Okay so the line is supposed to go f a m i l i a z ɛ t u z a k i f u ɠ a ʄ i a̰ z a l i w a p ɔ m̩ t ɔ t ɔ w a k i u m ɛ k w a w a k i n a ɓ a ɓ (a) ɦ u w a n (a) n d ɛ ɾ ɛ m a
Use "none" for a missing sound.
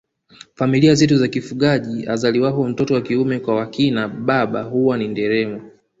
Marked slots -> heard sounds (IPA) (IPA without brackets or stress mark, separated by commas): a, i